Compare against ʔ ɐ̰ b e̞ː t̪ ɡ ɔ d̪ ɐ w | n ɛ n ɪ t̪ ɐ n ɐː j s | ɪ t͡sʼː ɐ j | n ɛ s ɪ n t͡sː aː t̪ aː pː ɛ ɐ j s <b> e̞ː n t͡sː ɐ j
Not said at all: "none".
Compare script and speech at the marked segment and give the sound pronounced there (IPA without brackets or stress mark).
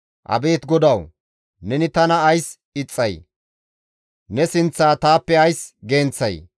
ɡ